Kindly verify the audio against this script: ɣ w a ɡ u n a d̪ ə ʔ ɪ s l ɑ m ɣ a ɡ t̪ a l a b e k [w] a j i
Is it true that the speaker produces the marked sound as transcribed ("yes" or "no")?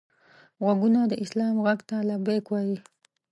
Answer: yes